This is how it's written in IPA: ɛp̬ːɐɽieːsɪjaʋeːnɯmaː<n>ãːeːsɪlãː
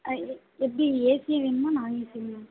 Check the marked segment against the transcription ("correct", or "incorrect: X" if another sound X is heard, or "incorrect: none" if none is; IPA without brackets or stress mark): correct